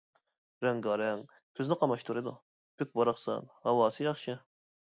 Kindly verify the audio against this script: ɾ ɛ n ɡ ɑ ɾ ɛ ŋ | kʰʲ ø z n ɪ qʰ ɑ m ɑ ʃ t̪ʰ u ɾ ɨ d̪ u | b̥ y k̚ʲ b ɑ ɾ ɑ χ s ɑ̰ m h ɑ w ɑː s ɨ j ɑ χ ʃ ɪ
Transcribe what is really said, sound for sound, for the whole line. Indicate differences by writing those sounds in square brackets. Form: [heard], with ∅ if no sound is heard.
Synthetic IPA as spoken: ɾ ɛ [ŋ] ɡ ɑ ɾ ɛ ŋ | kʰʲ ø z n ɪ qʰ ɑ m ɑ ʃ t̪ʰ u ɾ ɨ d̪ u | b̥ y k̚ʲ b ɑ ɾ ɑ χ s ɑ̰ [n] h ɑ w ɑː s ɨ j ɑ χ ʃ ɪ

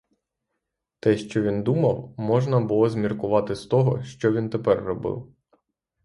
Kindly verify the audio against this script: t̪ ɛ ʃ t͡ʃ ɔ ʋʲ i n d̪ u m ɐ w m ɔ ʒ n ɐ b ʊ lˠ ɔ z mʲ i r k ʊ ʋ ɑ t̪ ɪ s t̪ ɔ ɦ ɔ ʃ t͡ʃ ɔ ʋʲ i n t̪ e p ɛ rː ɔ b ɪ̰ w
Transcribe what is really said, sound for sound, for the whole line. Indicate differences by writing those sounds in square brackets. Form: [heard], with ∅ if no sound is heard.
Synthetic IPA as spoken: t̪ ɛ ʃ t͡ʃ ɔ ʋʲ i n d̪ u m ɐ w m ɔ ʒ n ɐ b ʊ lˠ ɔ z mʲ i r k ʊ ʋ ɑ t̪ ɪ s t̪ ɔ ɦ ɔ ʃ t͡ʃ ɔ ʋʲ i n t̪ e p ɛ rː ɔ b ɪ̰ w

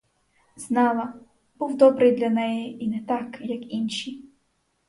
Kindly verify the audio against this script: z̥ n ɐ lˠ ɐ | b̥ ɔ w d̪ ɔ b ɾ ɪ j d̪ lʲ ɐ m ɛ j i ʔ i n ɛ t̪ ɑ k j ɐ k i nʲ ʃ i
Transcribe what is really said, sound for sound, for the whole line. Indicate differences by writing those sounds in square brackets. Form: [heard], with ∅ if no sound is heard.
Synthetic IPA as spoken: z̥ n [ɑ] lˠ ɐ | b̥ [u] w d̪ ɔ b ɾ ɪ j d̪ lʲ ɐ [n] ɛ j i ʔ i n ɛ t̪ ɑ k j ɐ k i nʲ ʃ i

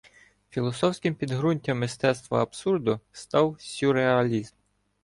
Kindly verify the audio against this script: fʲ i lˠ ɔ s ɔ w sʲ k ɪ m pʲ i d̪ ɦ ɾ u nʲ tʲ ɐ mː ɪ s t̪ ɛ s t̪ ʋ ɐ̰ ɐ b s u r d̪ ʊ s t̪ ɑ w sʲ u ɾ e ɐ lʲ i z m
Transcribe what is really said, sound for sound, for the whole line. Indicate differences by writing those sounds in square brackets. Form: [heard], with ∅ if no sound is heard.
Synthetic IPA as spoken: fʲ i lˠ ɔ s ɔ w sʲ k ɪ m pʲ i d̪ ɦ ɾ u nʲ tʲ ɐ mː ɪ s t̪ ɛ s t̪ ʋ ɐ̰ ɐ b s u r d̪ ʊ s t̪ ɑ w sʲ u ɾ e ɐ lʲ i z m

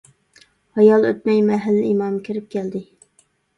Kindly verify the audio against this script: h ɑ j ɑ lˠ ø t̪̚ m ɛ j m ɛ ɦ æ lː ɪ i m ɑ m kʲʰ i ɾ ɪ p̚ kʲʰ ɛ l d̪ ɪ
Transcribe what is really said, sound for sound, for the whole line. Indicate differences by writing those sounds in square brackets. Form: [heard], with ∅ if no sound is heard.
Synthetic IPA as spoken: h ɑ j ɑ lˠ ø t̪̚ m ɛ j m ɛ ɦ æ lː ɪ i m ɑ m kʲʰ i ɾ ɪ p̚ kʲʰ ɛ l d̪ ɪ

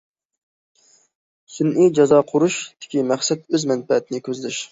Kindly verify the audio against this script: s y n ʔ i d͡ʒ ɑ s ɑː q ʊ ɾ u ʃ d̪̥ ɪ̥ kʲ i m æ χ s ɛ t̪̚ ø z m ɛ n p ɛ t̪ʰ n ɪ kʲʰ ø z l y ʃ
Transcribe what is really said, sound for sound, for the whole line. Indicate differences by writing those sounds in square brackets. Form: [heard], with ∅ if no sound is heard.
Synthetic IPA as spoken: s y n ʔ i d͡ʒ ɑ [z] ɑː [qʰ] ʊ ɾ u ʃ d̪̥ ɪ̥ kʲ i m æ χ s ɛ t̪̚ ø z m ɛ n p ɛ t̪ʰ n ɪ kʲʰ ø z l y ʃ

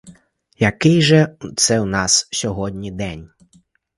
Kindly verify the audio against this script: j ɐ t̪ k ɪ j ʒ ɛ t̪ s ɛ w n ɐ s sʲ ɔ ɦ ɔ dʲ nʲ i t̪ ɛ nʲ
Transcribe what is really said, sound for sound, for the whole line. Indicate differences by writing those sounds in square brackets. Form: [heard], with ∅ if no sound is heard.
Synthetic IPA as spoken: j ɐ [∅] k ɪ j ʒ ɛ t̪ s ɛ w n [ɑ] s sʲ ɔ ɦ ɔ dʲ nʲ i [d̪] ɛ nʲ

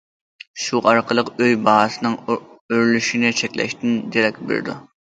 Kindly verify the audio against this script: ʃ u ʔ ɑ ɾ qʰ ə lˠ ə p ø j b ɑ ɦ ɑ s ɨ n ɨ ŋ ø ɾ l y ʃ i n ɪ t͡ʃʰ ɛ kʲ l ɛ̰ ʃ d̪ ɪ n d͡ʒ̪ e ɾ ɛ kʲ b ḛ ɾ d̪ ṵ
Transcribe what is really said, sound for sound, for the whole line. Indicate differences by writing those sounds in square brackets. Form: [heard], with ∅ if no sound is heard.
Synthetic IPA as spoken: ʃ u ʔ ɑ ɾ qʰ ə lˠ ə [q] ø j b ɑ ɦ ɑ s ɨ n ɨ ŋ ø ɾ l y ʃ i n ɪ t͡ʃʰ ɛ kʲ l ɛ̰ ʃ [t̪] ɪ n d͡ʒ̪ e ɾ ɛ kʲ b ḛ ɾ d̪ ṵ

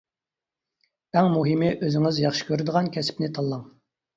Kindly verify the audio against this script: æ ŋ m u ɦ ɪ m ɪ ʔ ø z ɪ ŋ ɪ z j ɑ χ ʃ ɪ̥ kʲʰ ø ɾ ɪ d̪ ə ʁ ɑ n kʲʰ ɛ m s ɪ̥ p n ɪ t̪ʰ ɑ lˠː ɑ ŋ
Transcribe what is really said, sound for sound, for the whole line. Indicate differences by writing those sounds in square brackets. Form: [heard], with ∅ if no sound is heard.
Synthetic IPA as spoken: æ ŋ m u ɦ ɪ m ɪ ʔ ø z ɪ ŋ ɪ z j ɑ χ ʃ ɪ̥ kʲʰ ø ɾ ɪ d̪ ə ʁ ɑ n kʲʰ ɛ [∅] s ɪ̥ p n ɪ t̪ʰ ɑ lˠː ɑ ŋ

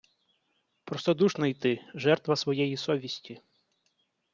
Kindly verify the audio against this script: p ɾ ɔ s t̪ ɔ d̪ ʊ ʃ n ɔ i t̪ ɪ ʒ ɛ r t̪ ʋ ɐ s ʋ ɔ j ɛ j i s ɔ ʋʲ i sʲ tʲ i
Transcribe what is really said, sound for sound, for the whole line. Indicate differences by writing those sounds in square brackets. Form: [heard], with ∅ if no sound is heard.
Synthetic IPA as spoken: p ɾ ɔ s t̪ ɔ d̪ [u] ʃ n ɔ [j] t̪ ɪ ʒ ɛ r t̪ ʋ ɐ s ʋ ɔ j ɛ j i s ɔ ʋʲ i sʲ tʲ i

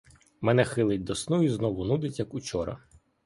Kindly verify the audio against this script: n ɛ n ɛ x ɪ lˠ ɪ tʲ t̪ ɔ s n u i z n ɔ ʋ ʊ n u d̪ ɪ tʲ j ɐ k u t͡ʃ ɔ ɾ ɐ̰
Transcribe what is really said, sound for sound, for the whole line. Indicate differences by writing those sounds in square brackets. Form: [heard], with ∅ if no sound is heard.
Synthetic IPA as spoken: [m] ɛ n ɛ x ɪ lˠ ɪ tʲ [d̪] ɔ s n u i z n ɔ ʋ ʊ n u d̪ ɪ tʲ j ɐ k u t͡ʃ ɔ ɾ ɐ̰

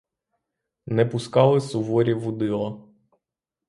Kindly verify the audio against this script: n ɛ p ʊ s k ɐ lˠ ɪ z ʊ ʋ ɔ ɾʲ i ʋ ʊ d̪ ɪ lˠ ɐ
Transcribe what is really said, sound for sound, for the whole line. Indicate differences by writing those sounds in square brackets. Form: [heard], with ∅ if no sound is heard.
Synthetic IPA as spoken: n ɛ p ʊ s k [ɑ] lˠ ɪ [s] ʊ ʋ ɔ ɾʲ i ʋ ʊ d̪ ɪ lˠ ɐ

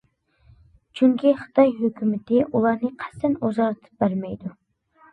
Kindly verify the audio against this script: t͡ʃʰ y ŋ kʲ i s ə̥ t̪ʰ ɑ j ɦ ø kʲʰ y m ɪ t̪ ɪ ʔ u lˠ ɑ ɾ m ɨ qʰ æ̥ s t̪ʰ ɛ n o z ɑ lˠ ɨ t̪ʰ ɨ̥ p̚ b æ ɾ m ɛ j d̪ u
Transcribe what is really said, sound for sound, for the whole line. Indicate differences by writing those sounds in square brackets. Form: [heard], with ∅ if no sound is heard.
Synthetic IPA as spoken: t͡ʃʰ y ŋ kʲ i [χ] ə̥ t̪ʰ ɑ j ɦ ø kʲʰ y m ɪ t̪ ɪ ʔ u lˠ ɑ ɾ [n] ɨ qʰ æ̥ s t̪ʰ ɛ n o z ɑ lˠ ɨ t̪ʰ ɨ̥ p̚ b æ ɾ m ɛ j d̪ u

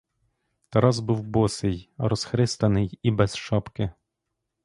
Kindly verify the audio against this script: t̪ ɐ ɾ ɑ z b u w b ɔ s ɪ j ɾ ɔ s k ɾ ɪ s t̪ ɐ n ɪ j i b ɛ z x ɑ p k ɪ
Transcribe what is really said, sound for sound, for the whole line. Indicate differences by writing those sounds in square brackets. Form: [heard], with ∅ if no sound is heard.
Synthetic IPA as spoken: t̪ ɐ ɾ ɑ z b u w b ɔ s ɪ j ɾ ɔ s [x] ɾ ɪ s t̪ ɐ n ɪ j i b ɛ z [ʃ] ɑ p k ɪ

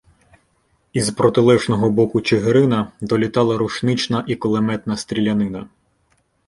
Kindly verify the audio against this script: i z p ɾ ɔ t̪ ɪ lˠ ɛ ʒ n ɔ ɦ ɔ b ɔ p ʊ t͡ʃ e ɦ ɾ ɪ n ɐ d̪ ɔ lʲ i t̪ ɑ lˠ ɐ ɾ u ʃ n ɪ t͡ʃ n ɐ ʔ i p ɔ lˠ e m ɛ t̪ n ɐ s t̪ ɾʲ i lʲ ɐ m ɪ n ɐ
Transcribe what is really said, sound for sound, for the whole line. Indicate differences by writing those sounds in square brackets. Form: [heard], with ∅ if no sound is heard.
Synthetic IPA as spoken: i z p ɾ ɔ t̪ ɪ lˠ ɛ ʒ n ɔ ɦ ɔ b ɔ [k] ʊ t͡ʃ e ɦ ɾ ɪ n ɐ d̪ ɔ lʲ i t̪ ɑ lˠ ɐ ɾ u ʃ n ɪ t͡ʃ n ɐ ʔ i [k] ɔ lˠ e m ɛ t̪ n ɐ s t̪ ɾʲ i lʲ ɐ [n] ɪ n ɐ

